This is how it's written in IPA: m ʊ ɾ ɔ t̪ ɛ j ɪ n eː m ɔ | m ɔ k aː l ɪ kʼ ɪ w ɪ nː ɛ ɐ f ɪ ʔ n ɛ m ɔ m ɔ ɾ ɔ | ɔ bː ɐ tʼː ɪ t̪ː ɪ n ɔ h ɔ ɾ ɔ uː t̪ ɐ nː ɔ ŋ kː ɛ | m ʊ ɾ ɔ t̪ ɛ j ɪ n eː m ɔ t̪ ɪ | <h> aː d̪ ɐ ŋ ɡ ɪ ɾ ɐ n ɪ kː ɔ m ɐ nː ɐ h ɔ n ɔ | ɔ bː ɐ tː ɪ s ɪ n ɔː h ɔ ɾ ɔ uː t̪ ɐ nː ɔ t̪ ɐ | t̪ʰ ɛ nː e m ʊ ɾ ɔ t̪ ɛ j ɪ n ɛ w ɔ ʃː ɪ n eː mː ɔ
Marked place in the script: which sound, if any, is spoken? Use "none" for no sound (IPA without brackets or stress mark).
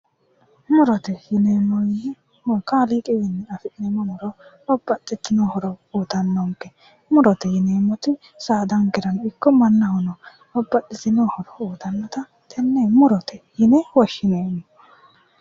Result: s